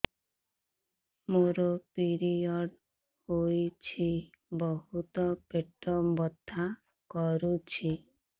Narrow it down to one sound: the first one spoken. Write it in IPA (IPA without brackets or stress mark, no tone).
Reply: m